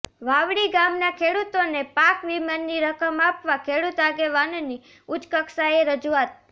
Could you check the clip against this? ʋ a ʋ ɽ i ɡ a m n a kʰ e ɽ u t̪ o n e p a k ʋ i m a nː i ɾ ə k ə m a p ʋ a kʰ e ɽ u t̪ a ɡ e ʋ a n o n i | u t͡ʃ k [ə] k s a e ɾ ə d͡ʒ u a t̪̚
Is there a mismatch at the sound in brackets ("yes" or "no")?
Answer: no